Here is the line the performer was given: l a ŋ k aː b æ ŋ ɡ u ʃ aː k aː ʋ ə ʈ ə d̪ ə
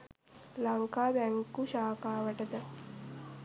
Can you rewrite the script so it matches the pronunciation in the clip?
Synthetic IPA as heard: l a ŋ k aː b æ ŋ k u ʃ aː k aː ʋ ə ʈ ə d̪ ə